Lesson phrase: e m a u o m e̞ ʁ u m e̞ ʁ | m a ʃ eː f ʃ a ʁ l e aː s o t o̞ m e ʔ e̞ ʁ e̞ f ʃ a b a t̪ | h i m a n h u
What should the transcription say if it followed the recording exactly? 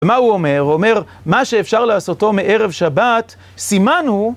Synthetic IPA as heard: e m a u o m e̞ ʁ o m e̞ ʁ | m a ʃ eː f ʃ a ʁ l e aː s o t o̞ m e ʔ e̞ ʁ e̞ v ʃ a b a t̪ | s i m a n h u